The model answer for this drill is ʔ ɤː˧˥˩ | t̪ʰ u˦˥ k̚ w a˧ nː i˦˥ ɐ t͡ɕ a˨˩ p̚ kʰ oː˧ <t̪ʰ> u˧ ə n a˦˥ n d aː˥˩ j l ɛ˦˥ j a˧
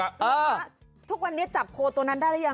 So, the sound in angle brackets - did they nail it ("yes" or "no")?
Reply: no